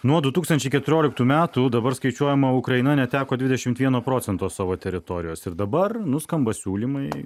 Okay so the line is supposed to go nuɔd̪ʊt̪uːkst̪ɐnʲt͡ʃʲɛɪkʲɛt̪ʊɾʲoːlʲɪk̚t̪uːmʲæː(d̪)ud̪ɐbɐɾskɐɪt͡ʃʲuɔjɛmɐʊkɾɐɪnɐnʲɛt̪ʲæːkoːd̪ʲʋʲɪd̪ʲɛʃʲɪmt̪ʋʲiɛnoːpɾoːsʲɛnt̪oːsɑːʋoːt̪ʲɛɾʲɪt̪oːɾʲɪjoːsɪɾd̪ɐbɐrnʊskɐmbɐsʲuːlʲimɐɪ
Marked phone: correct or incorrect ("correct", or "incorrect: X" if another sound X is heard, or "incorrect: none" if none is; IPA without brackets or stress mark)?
incorrect: t̪